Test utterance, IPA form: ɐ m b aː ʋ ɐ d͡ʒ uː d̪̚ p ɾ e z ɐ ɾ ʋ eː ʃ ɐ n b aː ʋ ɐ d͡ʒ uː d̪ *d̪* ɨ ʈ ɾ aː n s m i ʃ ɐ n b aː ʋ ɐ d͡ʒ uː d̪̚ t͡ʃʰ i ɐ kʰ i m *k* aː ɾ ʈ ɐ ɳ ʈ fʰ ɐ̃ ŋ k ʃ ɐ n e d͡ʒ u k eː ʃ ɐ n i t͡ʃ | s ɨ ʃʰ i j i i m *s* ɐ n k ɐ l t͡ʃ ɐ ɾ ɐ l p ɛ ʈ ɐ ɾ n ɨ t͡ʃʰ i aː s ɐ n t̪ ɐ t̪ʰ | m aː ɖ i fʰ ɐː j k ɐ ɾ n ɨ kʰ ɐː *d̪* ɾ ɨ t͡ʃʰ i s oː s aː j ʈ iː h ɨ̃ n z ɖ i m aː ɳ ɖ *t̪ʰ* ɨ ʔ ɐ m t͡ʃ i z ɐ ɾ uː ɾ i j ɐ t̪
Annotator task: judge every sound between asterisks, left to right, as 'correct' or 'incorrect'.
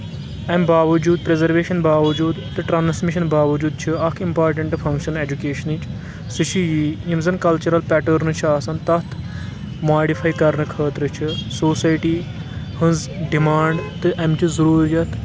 incorrect, incorrect, incorrect, incorrect, incorrect

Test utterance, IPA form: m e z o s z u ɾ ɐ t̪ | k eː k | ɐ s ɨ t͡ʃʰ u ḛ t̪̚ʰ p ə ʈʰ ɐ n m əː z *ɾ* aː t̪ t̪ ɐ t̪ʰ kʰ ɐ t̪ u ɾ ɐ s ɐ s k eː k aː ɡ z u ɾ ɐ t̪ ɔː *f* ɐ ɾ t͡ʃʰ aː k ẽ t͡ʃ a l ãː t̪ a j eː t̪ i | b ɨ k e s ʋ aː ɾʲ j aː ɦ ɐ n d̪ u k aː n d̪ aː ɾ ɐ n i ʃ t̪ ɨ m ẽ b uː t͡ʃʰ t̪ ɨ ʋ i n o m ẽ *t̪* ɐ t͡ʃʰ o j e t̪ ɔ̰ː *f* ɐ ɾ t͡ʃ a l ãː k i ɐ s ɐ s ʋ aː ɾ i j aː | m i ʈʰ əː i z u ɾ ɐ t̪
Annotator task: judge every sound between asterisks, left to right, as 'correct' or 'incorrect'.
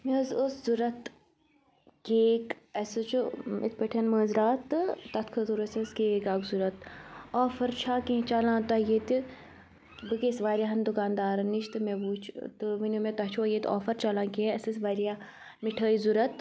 correct, correct, correct, correct

